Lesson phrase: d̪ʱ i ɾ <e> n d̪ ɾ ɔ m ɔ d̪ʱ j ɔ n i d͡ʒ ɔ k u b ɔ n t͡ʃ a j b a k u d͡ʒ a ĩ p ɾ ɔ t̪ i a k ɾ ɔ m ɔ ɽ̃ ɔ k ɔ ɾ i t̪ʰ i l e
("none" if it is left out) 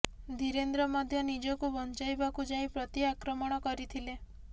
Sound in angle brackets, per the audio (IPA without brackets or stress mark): e